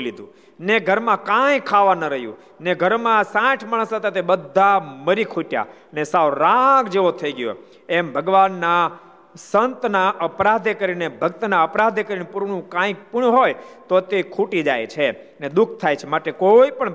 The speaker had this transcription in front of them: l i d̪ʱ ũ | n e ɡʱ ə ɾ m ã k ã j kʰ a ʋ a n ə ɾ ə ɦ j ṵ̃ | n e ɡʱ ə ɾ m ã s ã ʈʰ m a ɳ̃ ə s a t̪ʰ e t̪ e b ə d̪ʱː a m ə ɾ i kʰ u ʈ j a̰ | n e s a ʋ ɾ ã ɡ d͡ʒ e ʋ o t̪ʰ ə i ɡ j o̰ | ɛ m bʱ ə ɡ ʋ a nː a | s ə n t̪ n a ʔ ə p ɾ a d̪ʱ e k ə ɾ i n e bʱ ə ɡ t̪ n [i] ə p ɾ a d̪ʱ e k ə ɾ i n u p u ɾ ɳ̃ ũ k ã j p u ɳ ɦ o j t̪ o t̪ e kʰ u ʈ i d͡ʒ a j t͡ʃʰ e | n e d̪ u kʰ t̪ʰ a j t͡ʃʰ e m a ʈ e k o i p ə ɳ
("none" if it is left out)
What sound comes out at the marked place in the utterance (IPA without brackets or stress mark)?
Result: a